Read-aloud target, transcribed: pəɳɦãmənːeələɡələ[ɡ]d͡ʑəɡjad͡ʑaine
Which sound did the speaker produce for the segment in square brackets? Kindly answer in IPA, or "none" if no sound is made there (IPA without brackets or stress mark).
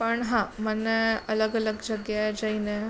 ɡ